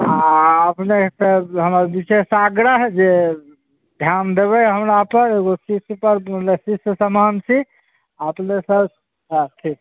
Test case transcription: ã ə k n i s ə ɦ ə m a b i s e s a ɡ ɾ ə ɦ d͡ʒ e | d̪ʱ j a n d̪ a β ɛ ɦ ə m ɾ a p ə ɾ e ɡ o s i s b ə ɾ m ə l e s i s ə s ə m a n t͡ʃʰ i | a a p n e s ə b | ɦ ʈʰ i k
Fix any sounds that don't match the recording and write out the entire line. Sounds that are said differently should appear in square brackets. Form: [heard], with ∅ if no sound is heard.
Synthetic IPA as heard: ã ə [p] n [e] s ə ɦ ə m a b i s e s a ɡ ɾ ə ɦ d͡ʒ e | d̪ʱ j a n d̪ [e] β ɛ ɦ ə m ɾ a p ə ɾ e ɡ o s i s [p] ə ɾ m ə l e s i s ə s ə m a n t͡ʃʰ i | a [ə] p n e s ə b | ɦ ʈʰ i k